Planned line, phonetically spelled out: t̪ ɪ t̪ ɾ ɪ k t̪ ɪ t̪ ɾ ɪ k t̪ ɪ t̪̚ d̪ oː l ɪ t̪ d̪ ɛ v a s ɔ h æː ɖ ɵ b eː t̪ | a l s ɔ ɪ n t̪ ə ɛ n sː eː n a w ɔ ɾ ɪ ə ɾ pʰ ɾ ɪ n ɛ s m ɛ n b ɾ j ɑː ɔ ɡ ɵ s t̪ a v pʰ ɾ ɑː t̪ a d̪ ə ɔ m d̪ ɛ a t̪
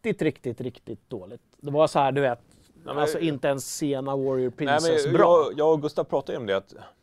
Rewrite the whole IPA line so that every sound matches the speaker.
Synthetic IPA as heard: t̪ ɪ t̪ ɾ ɪ k t̪ ɪ t̪ ɾ ɪ k t̪ ɪ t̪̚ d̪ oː l ɪ t̪ d̪ ɛ v a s ɔ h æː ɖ ɵ v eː t̪ | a l s ɔ ɪ n t̪ ə ɛ n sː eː n a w ɔ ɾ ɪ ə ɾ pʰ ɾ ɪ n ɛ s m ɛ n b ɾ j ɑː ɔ ɡ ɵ s t̪ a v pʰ ɾ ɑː t̪ a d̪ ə ɔ m d̪ ɛ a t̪